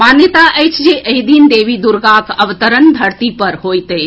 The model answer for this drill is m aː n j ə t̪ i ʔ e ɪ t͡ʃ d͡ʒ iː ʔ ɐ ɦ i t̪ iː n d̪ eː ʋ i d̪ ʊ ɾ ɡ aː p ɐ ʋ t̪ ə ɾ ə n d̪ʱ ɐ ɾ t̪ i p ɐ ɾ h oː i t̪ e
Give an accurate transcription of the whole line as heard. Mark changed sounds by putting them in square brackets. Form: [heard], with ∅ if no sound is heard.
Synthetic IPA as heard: m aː n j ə t̪ [a] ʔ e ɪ t͡ʃ d͡ʒ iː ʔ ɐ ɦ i [d̪] iː n d̪ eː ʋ i d̪ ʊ ɾ ɡ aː [k] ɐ ʋ t̪ ə ɾ ə n d̪ʱ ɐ ɾ t̪ i p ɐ ɾ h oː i t̪ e